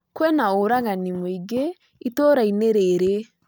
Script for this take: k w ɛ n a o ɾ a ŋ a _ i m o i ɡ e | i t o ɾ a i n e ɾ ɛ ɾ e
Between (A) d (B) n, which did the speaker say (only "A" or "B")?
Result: B